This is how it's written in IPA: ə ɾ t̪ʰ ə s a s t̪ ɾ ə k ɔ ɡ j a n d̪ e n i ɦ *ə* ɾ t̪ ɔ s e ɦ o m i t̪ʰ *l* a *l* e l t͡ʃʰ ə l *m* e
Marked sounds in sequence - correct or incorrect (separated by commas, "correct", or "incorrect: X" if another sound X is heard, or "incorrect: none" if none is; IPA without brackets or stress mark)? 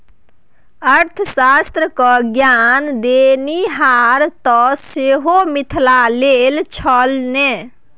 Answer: incorrect: a, correct, correct, incorrect: n